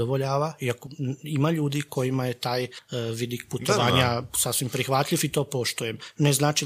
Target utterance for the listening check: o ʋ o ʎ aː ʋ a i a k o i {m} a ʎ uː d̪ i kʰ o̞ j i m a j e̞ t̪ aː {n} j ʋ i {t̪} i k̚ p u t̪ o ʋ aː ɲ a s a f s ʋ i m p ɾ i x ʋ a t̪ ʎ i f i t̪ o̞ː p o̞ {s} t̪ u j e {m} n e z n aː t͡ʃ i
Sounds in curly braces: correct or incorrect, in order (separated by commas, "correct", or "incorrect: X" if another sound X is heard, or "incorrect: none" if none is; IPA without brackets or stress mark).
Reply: correct, incorrect: none, incorrect: d̪, incorrect: ʃ, correct